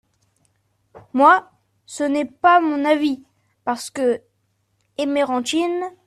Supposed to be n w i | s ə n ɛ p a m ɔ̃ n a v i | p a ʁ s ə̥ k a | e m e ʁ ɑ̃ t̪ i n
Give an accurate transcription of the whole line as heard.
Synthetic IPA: m w a | s ə n ɛ p a m ɔ̃ n a v i | p a ʁ s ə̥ k ə | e m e ʁ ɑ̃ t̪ i n

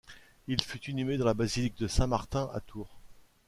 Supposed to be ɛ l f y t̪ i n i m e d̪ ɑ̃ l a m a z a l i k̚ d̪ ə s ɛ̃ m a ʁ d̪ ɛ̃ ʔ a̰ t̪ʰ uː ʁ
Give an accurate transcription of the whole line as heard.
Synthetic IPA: i l f y t̪ i n y m e d̪ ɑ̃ l a b a z i l i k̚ d̪ ə s ɛ̃ m a ʁ t̪ ɛ̃ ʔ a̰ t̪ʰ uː ʁ

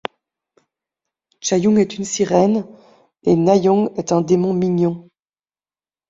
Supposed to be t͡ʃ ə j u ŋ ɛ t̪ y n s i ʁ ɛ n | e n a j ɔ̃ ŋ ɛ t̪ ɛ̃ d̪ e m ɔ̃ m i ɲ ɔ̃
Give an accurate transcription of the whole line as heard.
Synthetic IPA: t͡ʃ a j u ŋ ɛ t̪ y n s i ʁ ɛ n | e n a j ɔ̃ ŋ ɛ t̪ ɛ̃ d̪ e m ɔ̃ m i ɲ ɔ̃

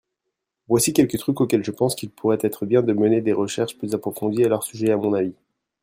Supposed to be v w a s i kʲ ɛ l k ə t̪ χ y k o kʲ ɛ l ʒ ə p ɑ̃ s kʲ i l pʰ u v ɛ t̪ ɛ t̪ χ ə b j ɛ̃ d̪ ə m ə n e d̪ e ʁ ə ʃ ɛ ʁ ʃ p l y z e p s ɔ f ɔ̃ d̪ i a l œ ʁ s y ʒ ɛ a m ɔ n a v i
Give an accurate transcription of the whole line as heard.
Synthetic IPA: v w a s i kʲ ɛ l k ə t̪ χ y k o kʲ ɛ l ʒ ə p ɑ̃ s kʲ i l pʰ u ʁ ɛ t̪ ɛ t̪ χ ə b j ɛ̃ d̪ ə m ə n e d̪ e ʁ ə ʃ ɛ ʁ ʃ p l y z a p χ ɔ f ɔ̃ d̪ i a l œ ʁ s y ʒ ɛ a m ɔ̃ n a v i

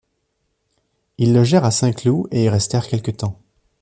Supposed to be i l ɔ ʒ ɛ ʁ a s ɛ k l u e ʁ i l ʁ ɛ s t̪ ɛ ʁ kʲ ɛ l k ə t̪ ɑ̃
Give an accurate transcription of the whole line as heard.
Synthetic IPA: i lː ɔ ʒ ɛ ʁ a s ɛ̃ k l u e i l ʁ ɛ s t̪ ɛ ʁ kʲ ɛ l k ə t̪ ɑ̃

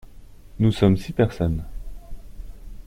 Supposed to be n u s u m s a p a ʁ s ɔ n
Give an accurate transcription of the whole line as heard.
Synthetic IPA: n u s ɔ m s i p ɛ ʁ s ɔ n

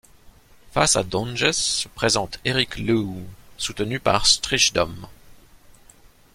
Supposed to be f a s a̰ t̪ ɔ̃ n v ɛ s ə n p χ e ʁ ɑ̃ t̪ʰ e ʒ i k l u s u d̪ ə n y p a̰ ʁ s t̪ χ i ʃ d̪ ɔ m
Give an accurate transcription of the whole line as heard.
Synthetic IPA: f a s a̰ d̪ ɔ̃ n ʒ ɛ s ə p χ e z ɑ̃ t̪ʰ e ʁ i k l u s u t̪ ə n y p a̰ ʁ s t̪ χ i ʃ d̪ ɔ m

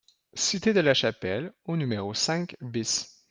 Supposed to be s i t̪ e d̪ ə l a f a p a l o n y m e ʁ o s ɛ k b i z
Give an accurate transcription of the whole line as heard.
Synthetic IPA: s i t̪ e d̪ ə l a ʃ a p ɛ l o n y m e ʁ o s ɛ̃ k b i s

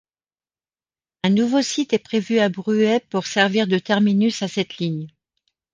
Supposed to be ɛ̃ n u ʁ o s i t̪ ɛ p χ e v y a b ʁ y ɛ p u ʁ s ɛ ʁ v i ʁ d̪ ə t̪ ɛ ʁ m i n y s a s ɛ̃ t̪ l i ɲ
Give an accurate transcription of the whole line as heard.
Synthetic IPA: ɛ̃ n u v o s i t̪ ɛ p χ e v y a b ʁ y ɛ p u ʁ s ɛ ʁ v i ʁ d̪ ə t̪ ɛ ʁ m i n y s a s ɛ t̪ l i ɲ

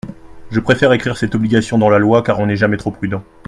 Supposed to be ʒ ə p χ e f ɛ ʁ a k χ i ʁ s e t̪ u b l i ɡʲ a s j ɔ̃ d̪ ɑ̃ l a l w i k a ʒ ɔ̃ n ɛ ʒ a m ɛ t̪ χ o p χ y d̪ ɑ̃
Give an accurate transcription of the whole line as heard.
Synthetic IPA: ʒ ə p χ e f ɛ ʁ e k χ i ʁ s ɛ t̪ ɔ b l i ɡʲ a s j ɔ̃ d̪ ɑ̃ l a l w a k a ʁ ɔ̃ n ɛ ʒ a m ɛ t̪ χ o p χ y d̪ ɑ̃

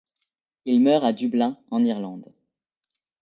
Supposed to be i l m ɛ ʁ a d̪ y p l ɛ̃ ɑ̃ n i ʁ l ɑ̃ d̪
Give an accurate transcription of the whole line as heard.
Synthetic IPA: i l m œ ʁ a d̪ y b l ɛ̃ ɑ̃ n i ʁ l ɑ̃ d̪

